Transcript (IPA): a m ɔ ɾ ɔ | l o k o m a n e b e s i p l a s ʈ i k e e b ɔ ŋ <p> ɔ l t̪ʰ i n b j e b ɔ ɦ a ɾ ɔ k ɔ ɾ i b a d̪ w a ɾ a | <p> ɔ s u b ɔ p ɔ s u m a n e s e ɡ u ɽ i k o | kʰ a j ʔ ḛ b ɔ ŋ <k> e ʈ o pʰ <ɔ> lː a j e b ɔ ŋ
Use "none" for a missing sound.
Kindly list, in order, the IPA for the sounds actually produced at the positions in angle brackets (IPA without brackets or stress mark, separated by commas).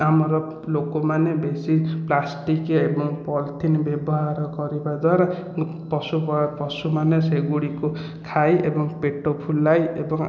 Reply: p, p, p, u